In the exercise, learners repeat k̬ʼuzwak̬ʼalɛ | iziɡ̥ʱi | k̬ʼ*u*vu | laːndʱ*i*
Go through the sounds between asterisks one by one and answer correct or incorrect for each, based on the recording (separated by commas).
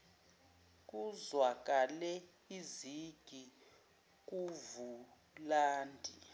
correct, correct